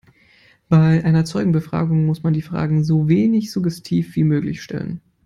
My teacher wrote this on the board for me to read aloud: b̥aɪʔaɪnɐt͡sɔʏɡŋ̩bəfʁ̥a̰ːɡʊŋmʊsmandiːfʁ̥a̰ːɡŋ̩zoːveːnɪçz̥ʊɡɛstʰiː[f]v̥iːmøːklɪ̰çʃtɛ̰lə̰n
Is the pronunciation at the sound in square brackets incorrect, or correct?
correct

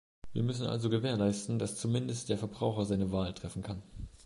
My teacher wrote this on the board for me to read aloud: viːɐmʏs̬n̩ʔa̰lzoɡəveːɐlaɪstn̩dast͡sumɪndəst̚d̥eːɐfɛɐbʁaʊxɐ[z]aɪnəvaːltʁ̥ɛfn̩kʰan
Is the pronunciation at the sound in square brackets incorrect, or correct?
correct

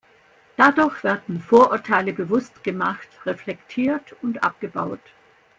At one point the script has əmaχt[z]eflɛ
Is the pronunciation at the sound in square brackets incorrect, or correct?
incorrect: ʁ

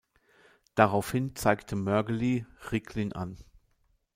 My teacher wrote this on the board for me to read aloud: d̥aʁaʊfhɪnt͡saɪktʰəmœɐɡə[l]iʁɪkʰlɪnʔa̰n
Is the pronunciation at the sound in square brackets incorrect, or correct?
correct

